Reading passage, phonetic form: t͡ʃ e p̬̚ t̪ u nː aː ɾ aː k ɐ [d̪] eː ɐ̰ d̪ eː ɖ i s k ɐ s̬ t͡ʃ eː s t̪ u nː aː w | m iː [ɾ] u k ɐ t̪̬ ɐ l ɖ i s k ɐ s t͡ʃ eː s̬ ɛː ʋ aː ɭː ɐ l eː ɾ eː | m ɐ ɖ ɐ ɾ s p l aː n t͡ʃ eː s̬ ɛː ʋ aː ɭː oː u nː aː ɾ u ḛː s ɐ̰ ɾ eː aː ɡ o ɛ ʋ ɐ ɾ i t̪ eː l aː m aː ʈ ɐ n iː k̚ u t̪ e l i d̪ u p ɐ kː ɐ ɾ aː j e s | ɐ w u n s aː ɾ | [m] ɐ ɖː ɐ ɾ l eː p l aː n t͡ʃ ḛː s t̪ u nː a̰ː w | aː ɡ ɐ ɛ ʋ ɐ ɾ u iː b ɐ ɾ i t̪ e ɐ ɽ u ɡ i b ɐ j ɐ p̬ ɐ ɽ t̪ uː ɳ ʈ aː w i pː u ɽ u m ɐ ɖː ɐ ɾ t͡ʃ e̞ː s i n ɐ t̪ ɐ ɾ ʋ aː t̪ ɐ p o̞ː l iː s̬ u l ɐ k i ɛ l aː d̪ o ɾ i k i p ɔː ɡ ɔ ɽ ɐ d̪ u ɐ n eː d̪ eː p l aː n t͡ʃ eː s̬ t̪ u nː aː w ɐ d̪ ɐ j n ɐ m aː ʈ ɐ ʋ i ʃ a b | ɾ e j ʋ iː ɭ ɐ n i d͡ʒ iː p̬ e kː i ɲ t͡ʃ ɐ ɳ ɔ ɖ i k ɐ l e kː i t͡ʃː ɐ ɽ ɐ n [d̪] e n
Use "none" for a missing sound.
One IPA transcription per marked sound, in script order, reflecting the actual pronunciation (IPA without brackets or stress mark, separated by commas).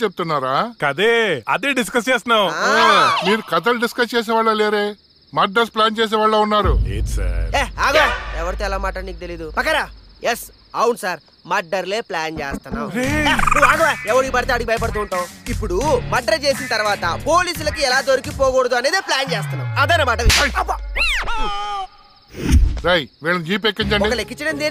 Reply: d̪, ɾ, m, d̪